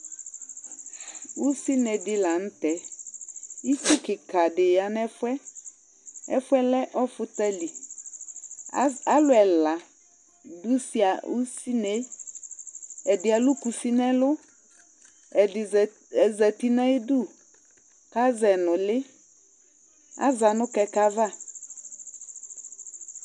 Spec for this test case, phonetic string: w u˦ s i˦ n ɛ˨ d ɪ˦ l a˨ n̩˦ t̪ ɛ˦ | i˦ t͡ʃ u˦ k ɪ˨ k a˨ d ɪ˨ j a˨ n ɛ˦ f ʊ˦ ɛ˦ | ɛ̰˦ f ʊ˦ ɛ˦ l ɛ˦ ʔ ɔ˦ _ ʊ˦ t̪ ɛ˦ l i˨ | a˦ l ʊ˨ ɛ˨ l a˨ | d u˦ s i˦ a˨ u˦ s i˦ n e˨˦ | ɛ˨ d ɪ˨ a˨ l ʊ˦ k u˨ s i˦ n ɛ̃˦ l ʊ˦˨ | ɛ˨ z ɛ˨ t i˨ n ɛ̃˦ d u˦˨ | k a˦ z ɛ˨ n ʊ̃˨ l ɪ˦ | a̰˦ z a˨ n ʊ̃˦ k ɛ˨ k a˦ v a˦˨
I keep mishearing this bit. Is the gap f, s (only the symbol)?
f